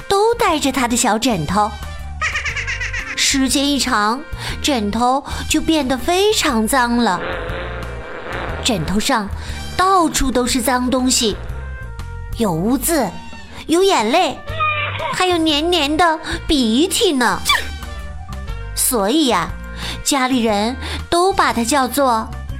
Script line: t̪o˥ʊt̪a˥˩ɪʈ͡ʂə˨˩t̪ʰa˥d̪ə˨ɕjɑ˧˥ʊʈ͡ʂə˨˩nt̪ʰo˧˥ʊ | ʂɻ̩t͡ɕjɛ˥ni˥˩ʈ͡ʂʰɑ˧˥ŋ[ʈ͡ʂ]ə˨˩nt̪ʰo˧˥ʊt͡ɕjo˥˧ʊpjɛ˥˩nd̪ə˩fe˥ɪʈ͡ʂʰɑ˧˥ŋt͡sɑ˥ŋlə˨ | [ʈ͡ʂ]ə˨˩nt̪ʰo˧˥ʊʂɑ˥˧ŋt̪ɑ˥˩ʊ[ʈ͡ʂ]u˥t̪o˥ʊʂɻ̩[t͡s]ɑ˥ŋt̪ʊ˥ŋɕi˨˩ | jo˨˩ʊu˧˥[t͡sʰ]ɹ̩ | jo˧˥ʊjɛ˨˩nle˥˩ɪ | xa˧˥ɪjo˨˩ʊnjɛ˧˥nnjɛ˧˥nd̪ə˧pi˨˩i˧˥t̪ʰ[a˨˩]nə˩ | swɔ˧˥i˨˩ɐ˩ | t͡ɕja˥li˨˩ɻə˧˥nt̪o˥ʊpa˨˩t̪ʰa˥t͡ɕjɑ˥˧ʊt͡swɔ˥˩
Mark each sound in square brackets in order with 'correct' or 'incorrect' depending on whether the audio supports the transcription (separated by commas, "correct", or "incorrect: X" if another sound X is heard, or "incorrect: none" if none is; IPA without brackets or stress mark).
correct, correct, incorrect: ʈ͡ʂʰ, correct, incorrect: t͡s, incorrect: i˨˩